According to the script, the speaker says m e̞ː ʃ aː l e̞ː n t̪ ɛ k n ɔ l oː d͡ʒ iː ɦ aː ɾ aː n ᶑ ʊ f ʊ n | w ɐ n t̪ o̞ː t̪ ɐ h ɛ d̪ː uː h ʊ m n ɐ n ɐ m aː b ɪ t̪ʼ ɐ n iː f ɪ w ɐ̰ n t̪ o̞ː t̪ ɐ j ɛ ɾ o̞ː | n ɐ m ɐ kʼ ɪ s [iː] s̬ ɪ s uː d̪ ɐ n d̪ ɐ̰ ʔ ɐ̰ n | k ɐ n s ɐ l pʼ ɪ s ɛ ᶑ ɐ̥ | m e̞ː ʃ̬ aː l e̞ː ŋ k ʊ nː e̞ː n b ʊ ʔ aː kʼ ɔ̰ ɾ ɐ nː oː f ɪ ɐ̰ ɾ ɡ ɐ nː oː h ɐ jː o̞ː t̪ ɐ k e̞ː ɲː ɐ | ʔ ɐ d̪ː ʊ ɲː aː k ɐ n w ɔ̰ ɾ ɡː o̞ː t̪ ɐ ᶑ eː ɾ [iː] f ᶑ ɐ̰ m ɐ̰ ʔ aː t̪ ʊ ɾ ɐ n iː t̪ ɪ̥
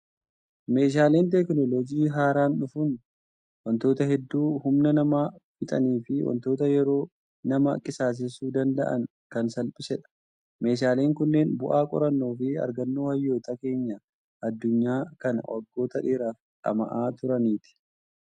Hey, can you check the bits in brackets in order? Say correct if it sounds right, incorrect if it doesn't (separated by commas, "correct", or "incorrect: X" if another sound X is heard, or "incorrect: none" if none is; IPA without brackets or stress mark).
incorrect: aː, incorrect: aː